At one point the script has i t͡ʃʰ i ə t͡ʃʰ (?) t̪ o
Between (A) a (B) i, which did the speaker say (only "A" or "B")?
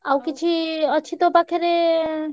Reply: B